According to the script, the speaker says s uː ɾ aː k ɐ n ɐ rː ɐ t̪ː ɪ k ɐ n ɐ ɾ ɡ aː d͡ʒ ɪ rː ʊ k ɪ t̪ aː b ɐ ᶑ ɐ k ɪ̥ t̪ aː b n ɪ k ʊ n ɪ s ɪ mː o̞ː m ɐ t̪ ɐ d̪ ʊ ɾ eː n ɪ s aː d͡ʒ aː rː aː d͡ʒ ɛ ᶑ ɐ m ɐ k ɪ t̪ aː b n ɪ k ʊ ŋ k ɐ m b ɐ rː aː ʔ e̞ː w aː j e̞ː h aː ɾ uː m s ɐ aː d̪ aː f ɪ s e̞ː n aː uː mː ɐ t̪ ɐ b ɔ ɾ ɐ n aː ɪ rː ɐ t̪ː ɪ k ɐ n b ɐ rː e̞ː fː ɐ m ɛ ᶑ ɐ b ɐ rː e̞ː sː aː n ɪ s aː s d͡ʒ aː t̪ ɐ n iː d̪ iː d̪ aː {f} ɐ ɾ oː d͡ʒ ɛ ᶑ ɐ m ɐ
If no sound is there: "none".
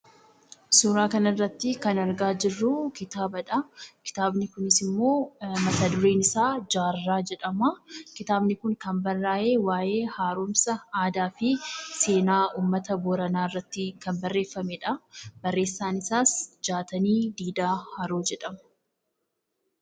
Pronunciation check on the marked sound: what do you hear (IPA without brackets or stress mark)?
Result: h